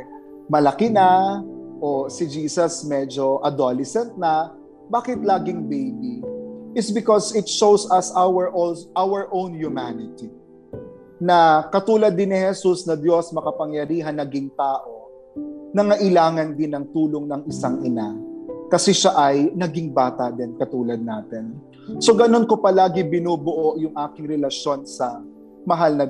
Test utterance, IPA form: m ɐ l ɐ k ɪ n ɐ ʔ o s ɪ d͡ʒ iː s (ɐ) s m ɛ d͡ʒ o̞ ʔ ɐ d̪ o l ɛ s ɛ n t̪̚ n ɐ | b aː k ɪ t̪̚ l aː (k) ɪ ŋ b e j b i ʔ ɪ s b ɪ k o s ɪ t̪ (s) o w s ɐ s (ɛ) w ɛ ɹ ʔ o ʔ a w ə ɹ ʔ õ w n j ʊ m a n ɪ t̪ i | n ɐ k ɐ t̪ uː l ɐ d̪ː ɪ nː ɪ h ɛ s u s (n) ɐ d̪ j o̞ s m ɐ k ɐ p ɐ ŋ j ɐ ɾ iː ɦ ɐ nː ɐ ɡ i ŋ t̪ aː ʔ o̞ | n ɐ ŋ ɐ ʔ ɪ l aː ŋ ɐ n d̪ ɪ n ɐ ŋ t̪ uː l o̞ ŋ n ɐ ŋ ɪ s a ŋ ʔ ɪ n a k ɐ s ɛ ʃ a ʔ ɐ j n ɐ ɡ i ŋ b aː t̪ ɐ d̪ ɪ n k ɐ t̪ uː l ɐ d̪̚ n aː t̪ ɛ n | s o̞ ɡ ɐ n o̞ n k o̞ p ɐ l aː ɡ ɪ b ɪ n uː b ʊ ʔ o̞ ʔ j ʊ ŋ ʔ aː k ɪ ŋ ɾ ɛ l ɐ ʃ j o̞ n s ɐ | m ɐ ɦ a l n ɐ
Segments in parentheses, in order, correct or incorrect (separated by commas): correct, incorrect, incorrect, incorrect, correct